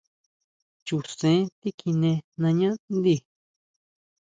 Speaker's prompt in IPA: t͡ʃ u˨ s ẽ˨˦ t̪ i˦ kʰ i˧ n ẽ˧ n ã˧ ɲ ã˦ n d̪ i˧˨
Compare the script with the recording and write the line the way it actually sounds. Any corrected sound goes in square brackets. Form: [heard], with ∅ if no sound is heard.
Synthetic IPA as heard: t͡ʃ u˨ s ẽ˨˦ t̪ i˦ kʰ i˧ n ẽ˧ n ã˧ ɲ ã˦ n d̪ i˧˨